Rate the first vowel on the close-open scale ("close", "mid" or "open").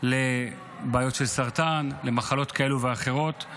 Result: mid